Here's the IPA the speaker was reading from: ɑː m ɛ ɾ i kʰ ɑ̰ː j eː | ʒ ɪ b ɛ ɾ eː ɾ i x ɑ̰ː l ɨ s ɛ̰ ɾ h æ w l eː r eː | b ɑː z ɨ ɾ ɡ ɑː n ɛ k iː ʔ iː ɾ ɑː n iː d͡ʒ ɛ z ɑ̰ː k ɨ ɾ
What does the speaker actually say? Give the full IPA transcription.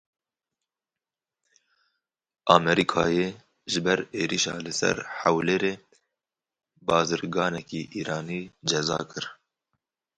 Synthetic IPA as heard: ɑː m ɛ ɾ i kʰ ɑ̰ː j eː | ʒ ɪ b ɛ ɾ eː ɾ i ʃ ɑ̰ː l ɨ s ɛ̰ ɾ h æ w l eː ɾ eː | b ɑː z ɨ ɾ ɡ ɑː n ɛ k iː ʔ iː ɾ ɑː n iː d͡ʒ ɛ z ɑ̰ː k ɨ ɾ